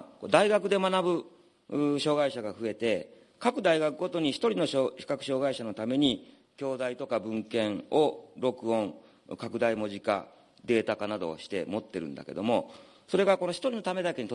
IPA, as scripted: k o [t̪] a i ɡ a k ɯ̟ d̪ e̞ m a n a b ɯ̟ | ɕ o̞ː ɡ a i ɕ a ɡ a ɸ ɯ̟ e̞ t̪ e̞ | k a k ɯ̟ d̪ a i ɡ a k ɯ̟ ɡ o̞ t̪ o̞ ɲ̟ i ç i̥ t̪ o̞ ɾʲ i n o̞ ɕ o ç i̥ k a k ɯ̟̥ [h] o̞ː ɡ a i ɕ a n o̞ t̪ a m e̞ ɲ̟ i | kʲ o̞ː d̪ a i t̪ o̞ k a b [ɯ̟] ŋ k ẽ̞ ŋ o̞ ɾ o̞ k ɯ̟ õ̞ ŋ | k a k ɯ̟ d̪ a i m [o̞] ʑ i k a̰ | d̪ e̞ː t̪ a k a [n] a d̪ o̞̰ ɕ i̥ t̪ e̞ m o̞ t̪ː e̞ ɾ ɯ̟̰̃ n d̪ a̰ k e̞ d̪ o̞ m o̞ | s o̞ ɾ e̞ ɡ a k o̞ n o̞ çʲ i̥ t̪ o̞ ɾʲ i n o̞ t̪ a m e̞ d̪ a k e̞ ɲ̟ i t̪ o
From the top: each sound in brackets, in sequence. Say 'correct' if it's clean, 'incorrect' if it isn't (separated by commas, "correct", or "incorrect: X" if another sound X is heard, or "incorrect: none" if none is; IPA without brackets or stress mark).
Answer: incorrect: d̪, incorrect: ɕ, incorrect: ɯ̟̃, correct, correct